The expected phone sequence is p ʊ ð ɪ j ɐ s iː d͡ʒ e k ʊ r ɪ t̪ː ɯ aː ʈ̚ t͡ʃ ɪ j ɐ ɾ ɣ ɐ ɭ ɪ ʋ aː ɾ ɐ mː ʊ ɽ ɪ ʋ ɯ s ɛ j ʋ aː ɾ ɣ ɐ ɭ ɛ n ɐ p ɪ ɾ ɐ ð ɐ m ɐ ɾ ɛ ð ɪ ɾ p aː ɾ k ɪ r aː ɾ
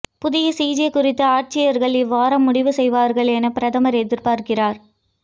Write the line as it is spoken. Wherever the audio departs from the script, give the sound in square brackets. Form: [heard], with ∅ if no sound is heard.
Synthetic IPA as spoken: p ʊ ð ɪ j ɐ s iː d͡ʒ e k ʊ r ɪ t̪ː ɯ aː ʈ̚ t͡ʃ ɪ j ɐ ɾ ɣ ɐ ɭ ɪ ʋ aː ɾ ɐ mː ʊ ɽ ɪ ʋ ɯ s ɛ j ʋ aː ɾ ɣ ɐ ɭ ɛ n ɐ p ɪ ɾ ɐ ð ɐ m ɐ ɾ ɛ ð ɪ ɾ p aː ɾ k ɪ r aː ɾ

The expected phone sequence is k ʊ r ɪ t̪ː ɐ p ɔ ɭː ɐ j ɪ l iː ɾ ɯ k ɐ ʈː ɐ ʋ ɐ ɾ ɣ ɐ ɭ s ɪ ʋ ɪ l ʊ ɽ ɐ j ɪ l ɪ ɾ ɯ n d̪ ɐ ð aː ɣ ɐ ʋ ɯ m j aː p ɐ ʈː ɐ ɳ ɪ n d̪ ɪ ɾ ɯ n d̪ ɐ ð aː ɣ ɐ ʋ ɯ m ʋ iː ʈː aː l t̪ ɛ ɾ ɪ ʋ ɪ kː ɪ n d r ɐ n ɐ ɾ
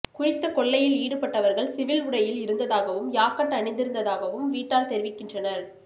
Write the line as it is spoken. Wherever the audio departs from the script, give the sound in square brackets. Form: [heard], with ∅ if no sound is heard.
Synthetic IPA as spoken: k ʊ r ɪ t̪ː ɐ [k] ɔ ɭː ɐ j ɪ l iː [ɽ] ɯ [p] ɐ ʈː ɐ ʋ ɐ ɾ ɣ ɐ ɭ s ɪ ʋ ɪ l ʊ ɽ ɐ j ɪ l ɪ ɾ ɯ n d̪ ɐ ð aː ɣ ɐ ʋ ɯ m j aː [k] ɐ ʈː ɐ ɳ ɪ n d̪ ɪ ɾ ɯ n d̪ ɐ ð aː ɣ ɐ ʋ ɯ m ʋ iː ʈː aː l t̪ ɛ ɾ ɪ ʋ ɪ kː ɪ n d r ɐ n ɐ ɾ

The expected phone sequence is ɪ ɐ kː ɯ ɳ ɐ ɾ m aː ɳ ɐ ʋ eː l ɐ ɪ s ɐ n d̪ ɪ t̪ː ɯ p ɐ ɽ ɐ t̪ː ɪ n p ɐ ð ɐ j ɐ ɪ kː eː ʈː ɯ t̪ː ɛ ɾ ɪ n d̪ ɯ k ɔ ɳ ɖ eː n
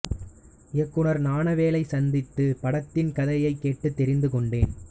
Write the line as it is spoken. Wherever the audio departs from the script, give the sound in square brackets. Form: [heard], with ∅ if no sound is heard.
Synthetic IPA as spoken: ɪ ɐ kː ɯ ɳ ɐ ɾ [n] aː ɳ ɐ ʋ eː l ɐ ɪ s ɐ n d̪ ɪ t̪ː ɯ p ɐ ɽ ɐ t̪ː ɪ n [k] ɐ ð ɐ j ɐ ɪ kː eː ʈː ɯ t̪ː ɛ ɾ ɪ n d̪ ɯ k ɔ ɳ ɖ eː n

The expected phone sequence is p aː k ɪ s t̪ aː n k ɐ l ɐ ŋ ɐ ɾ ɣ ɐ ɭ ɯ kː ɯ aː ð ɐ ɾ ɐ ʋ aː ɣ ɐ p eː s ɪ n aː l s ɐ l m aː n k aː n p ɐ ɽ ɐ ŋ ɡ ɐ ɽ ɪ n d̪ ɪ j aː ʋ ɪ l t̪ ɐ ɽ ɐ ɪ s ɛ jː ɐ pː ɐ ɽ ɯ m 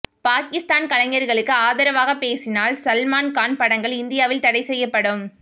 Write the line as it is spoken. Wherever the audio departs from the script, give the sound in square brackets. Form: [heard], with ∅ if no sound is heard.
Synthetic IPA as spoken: p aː k ɪ s t̪ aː n k ɐ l ɐ ŋ ɐ ɾ ɣ ɐ ɭ ɯ kː ɯ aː ð ɐ ɾ ɐ ʋ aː ɣ ɐ p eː s ɪ n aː l s ɐ l m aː n k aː n p ɐ ɽ ɐ ŋ ɡ ɐ [ɭ] ɪ n d̪ ɪ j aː ʋ ɪ l t̪ ɐ ɽ ɐ ɪ s ɛ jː ɐ pː ɐ ɽ ɯ m

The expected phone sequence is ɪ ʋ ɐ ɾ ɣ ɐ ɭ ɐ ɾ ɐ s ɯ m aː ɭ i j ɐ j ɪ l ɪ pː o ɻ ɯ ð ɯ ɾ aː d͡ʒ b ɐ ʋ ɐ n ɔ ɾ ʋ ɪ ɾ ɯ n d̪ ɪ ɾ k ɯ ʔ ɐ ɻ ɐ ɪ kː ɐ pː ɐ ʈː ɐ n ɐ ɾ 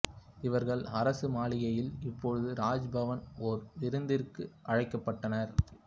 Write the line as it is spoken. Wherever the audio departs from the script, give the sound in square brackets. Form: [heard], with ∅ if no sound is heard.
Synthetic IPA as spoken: ɪ ʋ ɐ ɾ ɣ ɐ ɭ ɐ ɾ ɐ s ɯ m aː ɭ [ɪ] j ɐ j ɪ l ɪ pː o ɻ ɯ ð ɯ ɾ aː d͡ʒ b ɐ ʋ ɐ n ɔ ɾ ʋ ɪ ɾ ɯ n d̪ ɪ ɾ k ɯ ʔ ɐ ɻ ɐ ɪ kː ɐ pː ɐ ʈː ɐ n ɐ ɾ

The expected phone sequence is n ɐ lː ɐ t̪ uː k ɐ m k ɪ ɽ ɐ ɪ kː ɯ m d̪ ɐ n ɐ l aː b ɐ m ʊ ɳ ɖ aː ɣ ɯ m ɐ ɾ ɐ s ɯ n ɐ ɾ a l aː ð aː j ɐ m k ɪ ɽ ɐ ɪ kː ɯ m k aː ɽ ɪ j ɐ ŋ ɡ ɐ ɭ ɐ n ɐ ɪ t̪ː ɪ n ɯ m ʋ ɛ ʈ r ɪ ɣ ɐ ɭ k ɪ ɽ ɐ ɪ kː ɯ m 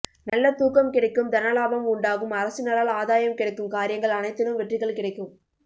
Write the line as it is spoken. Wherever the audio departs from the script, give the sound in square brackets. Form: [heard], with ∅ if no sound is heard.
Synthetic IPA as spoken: n ɐ lː ɐ t̪ uː k ɐ m k ɪ ɽ ɐ ɪ kː ɯ m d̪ ɐ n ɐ l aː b ɐ m ʊ ɳ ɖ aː ɣ ɯ m ɐ ɾ ɐ s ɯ n ɐ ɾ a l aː ð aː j ɐ m k ɪ ɽ ɐ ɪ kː ɯ m k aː [ɾ] ɪ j ɐ ŋ ɡ ɐ ɭ ɐ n ɐ ɪ t̪ː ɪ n ɯ m ʋ ɛ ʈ r ɪ ɣ ɐ ɭ k ɪ ɽ ɐ ɪ kː ɯ m

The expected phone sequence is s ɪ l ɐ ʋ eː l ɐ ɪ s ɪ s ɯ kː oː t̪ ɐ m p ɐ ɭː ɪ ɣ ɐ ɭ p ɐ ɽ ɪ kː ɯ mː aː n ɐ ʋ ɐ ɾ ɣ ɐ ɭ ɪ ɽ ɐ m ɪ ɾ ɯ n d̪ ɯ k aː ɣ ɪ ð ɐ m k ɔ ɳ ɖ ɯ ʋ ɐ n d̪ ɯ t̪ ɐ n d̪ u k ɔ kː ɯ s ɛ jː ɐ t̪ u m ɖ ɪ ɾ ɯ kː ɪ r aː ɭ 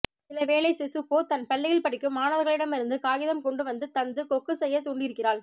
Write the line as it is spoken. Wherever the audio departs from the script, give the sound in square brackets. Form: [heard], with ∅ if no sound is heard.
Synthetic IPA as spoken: s ɪ l ɐ ʋ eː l ɐ ɪ s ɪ s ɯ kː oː t̪ ɐ [n] p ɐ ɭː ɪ ɣ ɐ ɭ p ɐ ɽ ɪ kː ɯ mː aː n ɐ ʋ ɐ ɾ ɣ ɐ ɭ ɪ ɽ ɐ m ɪ ɾ ɯ n d̪ ɯ k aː ɣ ɪ ð ɐ m k ɔ ɳ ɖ ɯ ʋ ɐ n d̪ ɯ t̪ ɐ n d̪ [ɯ] k ɔ kː ɯ s ɛ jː ɐ t̪ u [ɳ] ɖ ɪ ɾ ɯ kː ɪ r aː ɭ

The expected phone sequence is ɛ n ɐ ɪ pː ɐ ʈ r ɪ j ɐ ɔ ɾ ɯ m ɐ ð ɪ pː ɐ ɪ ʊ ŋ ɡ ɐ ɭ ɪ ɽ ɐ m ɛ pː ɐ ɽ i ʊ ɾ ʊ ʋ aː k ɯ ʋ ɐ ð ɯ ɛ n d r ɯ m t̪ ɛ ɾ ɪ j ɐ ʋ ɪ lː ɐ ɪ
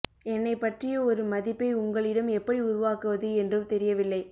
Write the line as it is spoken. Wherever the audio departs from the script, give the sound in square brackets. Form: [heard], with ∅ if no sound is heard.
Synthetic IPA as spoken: ɛ [nː] ɐ ɪ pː ɐ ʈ r ɪ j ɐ ɔ ɾ ɯ m ɐ ð ɪ pː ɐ ɪ ʊ ŋ ɡ ɐ ɭ ɪ ɽ ɐ m ɛ pː ɐ ɽ i ʊ ɾ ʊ ʋ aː k ɯ ʋ ɐ ð ɯ ɛ n d r ɯ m t̪ ɛ ɾ ɪ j ɐ ʋ ɪ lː ɐ ɪ

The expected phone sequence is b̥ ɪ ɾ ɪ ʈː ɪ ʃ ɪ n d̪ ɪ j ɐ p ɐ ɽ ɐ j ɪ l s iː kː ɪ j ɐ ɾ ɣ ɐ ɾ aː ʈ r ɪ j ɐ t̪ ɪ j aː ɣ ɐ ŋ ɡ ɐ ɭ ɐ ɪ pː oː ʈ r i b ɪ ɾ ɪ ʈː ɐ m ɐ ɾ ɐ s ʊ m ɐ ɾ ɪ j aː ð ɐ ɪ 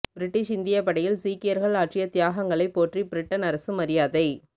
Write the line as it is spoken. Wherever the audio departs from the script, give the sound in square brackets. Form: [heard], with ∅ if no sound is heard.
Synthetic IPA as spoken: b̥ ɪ ɾ ɪ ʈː ɪ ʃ ɪ n d̪ ɪ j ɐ p ɐ ɽ ɐ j ɪ l s iː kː ɪ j ɐ ɾ ɣ ɐ [ɭ] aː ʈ r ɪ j ɐ t̪ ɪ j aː ɣ ɐ ŋ ɡ ɐ ɭ ɐ ɪ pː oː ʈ r i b ɪ ɾ ɪ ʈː ɐ [n] ɐ ɾ ɐ s [ɯ] m ɐ ɾ ɪ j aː ð ɐ ɪ

